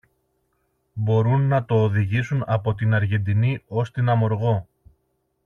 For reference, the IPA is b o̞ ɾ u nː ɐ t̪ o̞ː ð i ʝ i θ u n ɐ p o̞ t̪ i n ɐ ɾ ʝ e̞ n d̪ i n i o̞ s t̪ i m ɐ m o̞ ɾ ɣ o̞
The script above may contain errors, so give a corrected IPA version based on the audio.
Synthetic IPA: b o̞ ɾ u nː ɐ t̪ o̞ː ð i ʝ i s u n ɐ p o̞ t̪ i n ɐ ɾ ʝ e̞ n d̪ i n i o̞ s t̪ i n ɐ m o̞ ɾ ɣ o̞